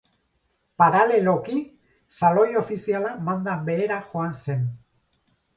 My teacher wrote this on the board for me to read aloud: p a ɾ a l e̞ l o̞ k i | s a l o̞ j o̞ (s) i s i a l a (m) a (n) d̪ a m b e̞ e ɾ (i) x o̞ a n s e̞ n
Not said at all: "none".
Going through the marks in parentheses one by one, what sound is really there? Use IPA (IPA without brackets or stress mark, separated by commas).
f, m, n, a